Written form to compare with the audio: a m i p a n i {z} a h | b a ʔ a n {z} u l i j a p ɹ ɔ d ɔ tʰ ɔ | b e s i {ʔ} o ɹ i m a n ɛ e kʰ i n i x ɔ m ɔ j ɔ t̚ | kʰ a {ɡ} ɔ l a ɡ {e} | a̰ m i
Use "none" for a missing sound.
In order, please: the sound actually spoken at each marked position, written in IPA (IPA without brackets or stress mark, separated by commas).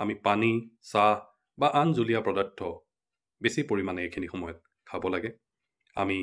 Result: s, z, p, b, ɛ